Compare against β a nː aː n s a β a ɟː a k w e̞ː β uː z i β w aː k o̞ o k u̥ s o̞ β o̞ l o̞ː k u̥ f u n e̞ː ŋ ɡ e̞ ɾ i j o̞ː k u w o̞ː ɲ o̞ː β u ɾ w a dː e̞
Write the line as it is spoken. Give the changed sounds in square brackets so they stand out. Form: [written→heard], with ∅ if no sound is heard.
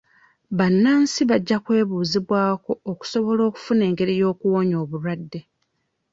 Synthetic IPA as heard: β a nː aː n s [a→i] β a ɟː a k w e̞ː β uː z i β w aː k o̞ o k u̥ s o̞ β o̞ l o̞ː k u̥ f u n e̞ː ŋ ɡ e̞ ɾ i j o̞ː k u w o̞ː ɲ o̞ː β u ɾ w a dː e̞